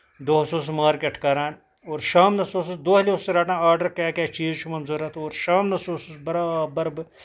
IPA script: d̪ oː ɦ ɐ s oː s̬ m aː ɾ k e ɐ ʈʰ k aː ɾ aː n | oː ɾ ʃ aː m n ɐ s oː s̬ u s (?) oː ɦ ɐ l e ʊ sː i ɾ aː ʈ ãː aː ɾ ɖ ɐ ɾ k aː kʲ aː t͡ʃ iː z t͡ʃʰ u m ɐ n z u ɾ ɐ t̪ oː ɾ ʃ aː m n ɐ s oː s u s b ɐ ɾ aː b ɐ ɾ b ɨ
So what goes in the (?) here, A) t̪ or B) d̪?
B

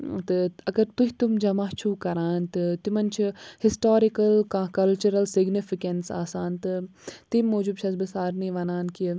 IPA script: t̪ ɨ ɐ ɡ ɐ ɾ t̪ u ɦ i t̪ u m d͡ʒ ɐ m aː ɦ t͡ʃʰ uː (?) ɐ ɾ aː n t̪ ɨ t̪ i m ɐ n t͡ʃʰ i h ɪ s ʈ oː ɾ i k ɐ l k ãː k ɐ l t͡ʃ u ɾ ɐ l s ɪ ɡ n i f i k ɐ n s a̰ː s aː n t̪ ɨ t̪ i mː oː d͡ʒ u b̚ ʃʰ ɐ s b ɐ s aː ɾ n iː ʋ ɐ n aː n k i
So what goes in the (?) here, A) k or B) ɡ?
A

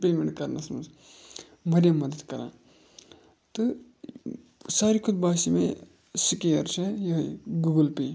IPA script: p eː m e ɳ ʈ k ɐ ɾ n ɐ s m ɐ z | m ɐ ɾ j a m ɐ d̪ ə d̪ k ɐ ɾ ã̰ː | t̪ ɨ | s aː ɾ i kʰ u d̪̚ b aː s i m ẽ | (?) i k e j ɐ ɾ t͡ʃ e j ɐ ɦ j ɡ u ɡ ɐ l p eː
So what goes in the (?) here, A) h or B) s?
B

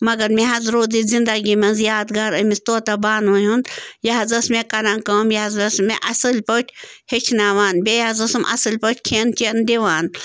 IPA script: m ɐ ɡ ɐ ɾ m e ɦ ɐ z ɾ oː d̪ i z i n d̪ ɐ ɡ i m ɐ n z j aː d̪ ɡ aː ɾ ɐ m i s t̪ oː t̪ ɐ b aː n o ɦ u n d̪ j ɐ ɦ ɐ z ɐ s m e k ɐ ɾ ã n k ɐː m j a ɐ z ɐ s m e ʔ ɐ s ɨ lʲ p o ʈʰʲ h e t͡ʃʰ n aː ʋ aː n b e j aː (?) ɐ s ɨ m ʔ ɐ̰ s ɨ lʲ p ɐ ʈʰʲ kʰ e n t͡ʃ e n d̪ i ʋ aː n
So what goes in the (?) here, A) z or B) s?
A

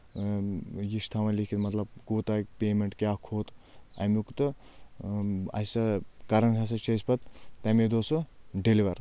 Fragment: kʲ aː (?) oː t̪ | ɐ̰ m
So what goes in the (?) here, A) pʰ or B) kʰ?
B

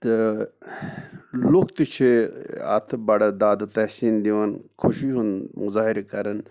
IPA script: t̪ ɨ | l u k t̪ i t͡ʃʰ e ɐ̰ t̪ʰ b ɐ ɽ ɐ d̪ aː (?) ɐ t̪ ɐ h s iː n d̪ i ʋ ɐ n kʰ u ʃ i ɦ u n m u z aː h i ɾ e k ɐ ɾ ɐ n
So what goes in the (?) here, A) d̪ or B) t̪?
A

